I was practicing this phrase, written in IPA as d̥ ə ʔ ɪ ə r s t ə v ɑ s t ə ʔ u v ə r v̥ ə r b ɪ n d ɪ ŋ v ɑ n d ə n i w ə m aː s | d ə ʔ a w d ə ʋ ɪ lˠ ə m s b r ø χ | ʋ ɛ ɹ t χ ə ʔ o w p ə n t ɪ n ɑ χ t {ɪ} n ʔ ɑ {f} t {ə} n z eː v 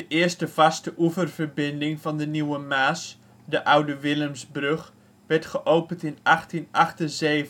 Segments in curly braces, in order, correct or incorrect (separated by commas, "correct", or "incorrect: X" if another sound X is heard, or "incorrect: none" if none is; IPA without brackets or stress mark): incorrect: i, incorrect: χ, correct